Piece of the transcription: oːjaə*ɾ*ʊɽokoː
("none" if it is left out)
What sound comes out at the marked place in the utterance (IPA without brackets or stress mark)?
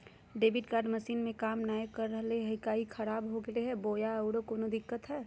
none